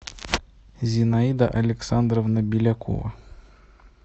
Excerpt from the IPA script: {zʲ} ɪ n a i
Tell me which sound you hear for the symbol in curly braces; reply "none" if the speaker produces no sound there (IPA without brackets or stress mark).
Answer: zʲ